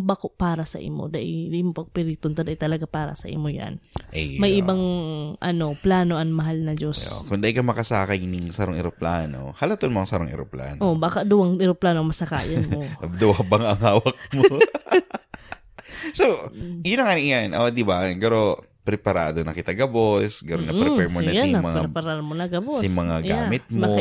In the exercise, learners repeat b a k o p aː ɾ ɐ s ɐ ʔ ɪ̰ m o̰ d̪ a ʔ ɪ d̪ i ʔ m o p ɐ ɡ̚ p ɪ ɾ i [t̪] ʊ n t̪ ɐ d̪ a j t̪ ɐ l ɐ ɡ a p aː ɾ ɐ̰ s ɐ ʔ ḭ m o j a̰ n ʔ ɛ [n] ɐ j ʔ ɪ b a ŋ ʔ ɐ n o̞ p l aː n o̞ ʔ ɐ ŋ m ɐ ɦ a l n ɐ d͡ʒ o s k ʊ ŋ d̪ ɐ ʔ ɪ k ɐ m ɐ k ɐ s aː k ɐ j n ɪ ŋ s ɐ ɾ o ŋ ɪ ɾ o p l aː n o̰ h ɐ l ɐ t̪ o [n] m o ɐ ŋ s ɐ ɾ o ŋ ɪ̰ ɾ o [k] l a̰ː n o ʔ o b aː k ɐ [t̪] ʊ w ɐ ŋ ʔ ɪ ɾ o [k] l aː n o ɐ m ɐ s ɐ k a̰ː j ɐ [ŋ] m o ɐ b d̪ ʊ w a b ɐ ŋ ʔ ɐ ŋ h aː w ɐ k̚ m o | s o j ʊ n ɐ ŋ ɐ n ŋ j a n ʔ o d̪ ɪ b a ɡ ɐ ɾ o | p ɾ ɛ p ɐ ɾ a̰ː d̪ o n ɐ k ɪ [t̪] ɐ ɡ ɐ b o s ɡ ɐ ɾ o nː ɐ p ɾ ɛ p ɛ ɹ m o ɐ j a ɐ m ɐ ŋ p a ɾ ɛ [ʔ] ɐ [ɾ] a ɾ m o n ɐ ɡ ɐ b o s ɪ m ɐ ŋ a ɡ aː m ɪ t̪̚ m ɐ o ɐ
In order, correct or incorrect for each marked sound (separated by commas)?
correct, incorrect, correct, incorrect, incorrect, incorrect, incorrect, correct, incorrect, correct